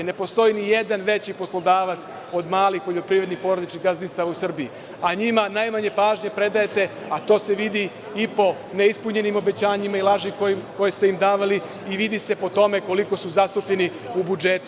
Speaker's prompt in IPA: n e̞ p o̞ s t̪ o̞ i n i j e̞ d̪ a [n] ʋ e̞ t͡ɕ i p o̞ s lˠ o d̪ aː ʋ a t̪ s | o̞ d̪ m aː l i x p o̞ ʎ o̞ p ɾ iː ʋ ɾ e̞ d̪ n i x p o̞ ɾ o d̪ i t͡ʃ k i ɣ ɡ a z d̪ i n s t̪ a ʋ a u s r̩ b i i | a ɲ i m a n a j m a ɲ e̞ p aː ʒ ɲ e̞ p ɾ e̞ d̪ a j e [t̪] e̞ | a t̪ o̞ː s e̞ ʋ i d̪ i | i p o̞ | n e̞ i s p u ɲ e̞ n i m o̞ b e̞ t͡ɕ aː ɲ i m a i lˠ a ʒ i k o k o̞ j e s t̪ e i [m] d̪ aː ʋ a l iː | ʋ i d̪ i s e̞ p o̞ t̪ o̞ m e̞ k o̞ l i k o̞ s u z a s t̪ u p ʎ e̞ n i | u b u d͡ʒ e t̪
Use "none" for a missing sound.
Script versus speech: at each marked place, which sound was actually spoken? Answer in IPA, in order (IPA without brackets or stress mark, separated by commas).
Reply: n, t̪, m